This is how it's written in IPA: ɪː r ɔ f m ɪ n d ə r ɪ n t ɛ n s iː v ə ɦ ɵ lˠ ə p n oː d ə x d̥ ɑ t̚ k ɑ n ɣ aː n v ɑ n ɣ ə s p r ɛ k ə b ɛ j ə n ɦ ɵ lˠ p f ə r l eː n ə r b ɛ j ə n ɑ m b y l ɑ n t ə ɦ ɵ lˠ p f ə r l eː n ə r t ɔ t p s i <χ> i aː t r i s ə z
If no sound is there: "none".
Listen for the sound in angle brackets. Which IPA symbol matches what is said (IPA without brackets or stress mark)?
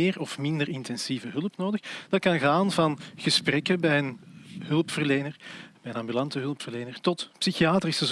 x